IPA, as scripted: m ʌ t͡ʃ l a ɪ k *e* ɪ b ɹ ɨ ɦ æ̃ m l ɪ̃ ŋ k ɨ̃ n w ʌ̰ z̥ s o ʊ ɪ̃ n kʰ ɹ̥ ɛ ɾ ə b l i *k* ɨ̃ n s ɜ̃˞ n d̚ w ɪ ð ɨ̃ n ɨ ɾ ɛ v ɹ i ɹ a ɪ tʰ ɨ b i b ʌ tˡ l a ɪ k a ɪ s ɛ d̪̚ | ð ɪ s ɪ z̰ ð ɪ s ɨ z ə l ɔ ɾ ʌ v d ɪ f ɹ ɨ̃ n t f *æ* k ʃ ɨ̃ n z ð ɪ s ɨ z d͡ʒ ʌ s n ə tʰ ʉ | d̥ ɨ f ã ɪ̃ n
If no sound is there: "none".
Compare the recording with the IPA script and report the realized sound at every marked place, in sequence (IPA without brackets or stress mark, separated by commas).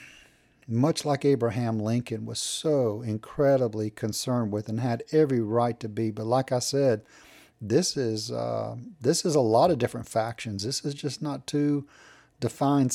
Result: e, kʰ, æ